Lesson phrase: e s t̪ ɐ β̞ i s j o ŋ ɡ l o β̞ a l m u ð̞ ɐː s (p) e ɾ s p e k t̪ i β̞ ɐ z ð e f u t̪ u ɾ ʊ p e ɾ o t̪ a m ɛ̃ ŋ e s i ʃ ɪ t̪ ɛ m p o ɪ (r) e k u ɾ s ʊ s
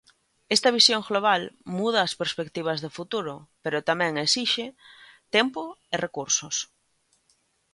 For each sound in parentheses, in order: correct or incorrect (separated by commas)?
correct, correct